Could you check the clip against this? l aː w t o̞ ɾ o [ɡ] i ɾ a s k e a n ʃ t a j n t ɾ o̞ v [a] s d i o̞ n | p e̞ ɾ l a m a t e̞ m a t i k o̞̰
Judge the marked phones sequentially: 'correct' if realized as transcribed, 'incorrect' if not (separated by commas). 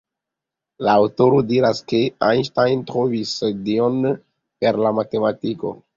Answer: incorrect, incorrect